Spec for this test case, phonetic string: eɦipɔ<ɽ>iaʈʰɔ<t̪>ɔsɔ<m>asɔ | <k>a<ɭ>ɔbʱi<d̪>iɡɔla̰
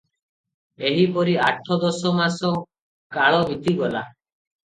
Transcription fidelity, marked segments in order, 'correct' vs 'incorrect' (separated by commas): incorrect, incorrect, correct, correct, correct, incorrect